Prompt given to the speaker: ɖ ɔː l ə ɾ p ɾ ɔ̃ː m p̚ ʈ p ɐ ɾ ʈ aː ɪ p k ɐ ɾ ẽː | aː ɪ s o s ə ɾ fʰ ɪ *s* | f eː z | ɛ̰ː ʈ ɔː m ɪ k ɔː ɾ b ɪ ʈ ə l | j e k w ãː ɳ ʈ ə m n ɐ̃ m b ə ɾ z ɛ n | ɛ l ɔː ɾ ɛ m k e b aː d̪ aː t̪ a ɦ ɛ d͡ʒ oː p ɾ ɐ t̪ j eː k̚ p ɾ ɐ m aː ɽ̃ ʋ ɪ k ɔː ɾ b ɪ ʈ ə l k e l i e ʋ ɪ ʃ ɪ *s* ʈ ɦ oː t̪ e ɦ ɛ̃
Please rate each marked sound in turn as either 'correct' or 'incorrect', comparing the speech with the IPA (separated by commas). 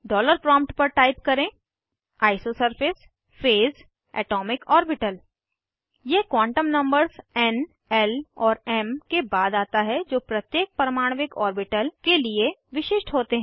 correct, incorrect